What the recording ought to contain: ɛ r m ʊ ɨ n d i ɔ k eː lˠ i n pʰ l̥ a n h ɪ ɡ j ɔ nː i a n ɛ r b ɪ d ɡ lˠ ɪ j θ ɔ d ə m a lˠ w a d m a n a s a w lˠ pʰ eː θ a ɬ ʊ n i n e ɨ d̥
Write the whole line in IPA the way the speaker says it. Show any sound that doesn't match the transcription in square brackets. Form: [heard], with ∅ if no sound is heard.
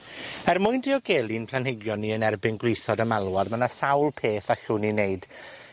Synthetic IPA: ɛ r m ʊ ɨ n d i ɔ [ɡ] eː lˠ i n pʰ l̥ a n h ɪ ɡ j ɔ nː i [ə] n ɛ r b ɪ [n] ɡ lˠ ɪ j θ ɔ d ə m a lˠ w a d m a n a s a w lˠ pʰ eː θ a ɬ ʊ n i n e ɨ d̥

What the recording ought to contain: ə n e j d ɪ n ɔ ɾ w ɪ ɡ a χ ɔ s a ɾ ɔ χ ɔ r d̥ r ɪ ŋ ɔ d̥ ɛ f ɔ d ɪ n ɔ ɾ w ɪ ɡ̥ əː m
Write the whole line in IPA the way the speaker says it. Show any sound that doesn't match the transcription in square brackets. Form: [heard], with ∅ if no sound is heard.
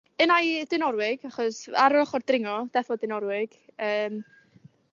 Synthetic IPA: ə n [a] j d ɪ n ɔ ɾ w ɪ ɡ a χ ɔ s a ɾ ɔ χ ɔ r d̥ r ɪ ŋ ɔ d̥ ɛ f ɔ d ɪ n ɔ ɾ w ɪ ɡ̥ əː m

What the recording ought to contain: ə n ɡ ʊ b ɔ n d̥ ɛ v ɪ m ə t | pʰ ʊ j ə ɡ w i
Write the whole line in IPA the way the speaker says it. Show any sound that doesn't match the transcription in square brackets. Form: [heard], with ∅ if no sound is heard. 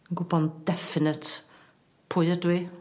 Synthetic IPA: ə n ɡ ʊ b ɔ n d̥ ɛ [f] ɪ [n] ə t | pʰ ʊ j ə [d] w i

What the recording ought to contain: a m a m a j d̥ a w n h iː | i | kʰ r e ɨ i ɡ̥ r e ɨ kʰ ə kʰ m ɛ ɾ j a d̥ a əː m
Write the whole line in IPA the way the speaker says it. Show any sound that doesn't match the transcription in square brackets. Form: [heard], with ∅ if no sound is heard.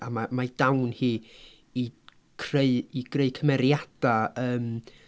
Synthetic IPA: a m a m a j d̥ a w n h iː | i | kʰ r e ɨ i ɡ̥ r e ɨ kʰ ə [∅] m ɛ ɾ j a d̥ a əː m

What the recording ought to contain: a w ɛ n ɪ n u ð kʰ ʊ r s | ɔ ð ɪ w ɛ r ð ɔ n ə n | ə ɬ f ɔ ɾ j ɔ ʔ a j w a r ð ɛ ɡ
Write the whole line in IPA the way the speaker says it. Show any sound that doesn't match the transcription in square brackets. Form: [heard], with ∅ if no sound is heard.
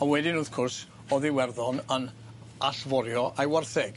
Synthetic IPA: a w ɛ [d] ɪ n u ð kʰ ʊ r s | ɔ ð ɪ w ɛ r ð ɔ n ə n | [a] ɬ [v] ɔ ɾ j ɔ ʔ a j w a r [θ] ɛ ɡ

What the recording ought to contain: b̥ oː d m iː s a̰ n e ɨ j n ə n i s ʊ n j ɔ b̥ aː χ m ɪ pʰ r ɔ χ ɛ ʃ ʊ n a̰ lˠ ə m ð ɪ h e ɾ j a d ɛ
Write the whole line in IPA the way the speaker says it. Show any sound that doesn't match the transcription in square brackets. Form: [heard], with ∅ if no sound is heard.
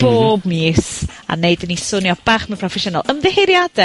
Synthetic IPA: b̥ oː [b] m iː s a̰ n e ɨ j [d] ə n i s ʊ n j ɔ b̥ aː χ m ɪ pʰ r ɔ [f] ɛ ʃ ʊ n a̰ lˠ ə m ð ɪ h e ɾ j a d ɛ

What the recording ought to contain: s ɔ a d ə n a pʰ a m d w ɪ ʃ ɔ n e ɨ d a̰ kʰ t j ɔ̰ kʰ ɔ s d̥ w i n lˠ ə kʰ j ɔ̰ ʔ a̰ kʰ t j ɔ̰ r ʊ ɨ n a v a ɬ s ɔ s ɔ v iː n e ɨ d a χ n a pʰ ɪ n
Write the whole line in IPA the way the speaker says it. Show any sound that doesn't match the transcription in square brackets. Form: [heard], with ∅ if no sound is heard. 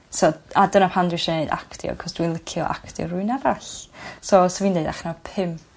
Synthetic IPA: s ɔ a d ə n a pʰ a [n] d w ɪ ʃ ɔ n e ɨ d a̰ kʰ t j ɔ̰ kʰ ɔ s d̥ w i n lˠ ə kʰ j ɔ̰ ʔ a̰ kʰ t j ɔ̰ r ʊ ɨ n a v a ɬ s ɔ s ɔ v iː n e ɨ d a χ n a pʰ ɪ [m]

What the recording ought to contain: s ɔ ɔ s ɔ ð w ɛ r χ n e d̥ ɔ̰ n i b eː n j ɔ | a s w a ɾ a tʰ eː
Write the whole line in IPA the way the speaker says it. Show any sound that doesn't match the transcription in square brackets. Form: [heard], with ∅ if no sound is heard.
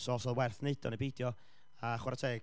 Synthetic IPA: s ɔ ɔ s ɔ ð w ɛ r [θ] n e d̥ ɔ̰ n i b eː [d] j ɔ | a [χ] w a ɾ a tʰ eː

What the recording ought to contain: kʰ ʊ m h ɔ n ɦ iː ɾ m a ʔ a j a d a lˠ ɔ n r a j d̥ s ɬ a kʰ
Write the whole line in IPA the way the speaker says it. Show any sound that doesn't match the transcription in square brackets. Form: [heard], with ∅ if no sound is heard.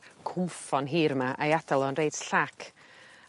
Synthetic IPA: kʰ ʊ m [f] ɔ n ɦ iː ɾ m a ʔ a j a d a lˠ ɔ n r [e] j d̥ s ɬ a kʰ

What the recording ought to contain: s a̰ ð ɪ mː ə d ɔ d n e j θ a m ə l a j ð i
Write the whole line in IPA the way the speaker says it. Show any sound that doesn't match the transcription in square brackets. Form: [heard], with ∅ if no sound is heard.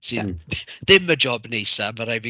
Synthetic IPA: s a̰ ð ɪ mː ə [d͡ʒ] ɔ [b] n e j [s] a m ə [ɾ] a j [v] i

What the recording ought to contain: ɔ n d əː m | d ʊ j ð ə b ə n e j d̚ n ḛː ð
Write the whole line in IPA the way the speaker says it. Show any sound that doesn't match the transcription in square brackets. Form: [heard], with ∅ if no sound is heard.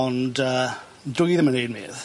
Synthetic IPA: ɔ n d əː [∅] | d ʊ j ð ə [m] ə n e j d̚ [m] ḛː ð

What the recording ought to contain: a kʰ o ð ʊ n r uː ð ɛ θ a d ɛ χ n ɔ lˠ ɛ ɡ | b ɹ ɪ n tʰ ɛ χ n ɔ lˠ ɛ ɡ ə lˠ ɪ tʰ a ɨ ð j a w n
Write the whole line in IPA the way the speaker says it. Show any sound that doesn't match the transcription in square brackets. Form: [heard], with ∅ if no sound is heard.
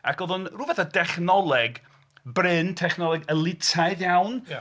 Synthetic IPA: a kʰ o ð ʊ n r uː [v] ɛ θ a d ɛ χ n ɔ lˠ ɛ ɡ | b [r] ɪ n tʰ ɛ χ n ɔ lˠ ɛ ɡ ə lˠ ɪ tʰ a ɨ ð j a w n

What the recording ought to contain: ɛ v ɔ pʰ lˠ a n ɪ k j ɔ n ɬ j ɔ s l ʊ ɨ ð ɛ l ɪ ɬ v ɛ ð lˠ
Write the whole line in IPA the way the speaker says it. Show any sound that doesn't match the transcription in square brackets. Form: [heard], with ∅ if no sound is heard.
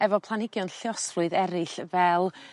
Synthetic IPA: ɛ v ɔ pʰ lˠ a n ɪ [ɡ] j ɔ n ɬ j ɔ s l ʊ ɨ ð ɛ [ɾ] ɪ ɬ v ɛ [∅] lˠ

